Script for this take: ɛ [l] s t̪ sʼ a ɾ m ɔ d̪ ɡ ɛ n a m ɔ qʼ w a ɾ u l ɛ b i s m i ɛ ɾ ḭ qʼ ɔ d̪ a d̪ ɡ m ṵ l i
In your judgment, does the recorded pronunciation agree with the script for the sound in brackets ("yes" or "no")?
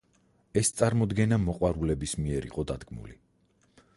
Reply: no